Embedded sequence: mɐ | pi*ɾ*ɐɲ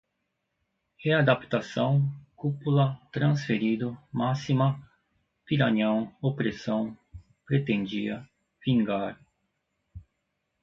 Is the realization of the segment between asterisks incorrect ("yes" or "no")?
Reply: no